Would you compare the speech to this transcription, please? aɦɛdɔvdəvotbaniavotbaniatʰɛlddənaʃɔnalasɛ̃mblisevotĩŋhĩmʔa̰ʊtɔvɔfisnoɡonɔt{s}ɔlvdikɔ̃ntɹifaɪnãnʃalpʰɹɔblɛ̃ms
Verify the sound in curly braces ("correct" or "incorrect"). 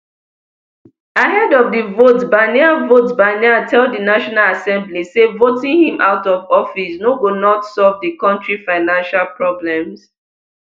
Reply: correct